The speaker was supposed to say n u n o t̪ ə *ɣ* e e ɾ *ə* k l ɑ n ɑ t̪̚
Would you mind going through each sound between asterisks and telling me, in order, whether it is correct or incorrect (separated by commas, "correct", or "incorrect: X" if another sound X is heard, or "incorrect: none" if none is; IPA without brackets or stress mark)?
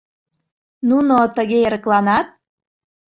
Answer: correct, correct